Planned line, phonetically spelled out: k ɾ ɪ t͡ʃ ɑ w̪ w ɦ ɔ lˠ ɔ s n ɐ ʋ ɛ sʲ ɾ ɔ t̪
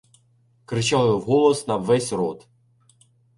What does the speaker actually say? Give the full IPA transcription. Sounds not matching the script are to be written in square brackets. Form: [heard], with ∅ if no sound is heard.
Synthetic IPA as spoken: k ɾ ɪ t͡ʃ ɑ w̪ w ɦ ɔ lˠ ɔ s n ɐ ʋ ɛ sʲ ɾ ɔ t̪